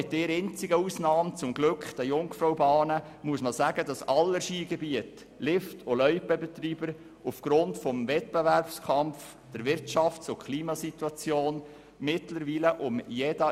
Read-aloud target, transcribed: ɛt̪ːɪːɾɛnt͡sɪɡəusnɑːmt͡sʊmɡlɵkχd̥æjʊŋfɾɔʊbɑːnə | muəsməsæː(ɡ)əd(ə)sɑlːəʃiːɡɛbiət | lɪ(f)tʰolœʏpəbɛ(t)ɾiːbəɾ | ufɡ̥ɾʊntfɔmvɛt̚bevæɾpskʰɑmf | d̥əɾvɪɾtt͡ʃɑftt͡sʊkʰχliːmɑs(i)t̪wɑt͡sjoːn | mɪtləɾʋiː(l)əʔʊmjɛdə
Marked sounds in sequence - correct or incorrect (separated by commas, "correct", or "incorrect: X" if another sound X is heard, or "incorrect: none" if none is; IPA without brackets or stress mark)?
correct, incorrect: ɑ, correct, correct, correct, correct